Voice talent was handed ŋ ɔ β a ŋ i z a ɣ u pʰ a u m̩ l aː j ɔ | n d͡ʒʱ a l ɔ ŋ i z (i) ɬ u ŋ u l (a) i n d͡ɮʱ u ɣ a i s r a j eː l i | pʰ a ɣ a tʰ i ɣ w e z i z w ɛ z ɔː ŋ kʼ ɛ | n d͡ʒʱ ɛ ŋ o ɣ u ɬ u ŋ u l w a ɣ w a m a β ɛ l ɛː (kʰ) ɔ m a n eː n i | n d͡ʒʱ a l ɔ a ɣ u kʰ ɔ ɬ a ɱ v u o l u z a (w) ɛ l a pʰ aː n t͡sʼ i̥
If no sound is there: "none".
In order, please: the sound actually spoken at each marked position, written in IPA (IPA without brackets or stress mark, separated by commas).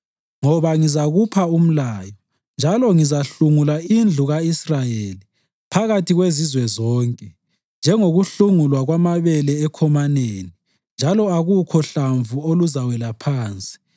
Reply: a, a, kʰ, w